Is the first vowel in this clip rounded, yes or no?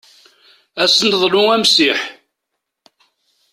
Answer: no